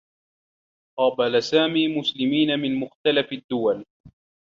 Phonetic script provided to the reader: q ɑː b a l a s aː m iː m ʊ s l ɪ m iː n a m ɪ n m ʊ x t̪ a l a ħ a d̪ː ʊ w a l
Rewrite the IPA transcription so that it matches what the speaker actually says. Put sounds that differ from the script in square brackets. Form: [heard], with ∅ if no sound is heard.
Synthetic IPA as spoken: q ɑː b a l a s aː m iː m ʊ s l ɪ m iː n a m ɪ n m ʊ x t̪ a l a [f] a d̪ː ʊ w a l